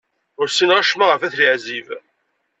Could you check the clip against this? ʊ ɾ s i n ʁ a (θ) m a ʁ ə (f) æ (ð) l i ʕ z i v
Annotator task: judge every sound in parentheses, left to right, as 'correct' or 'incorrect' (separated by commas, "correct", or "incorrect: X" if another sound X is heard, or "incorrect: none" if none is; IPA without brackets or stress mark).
incorrect: ʃ, correct, incorrect: θ